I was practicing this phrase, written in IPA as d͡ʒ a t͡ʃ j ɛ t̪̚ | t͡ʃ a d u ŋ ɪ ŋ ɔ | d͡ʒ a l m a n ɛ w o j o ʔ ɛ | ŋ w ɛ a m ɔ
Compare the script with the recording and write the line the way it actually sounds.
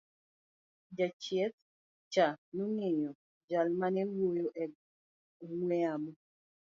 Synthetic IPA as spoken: d͡ʒ a t͡ʃ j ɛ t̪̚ | t͡ʃ a n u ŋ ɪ ɲ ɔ | d͡ʒ a l m a n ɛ w o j o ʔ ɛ | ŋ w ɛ a m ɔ